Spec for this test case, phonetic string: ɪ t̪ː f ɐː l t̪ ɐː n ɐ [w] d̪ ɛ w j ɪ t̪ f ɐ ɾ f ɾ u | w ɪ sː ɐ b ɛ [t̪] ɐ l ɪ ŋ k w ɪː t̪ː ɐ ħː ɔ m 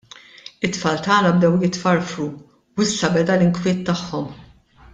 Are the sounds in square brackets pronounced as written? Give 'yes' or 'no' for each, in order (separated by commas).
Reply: no, no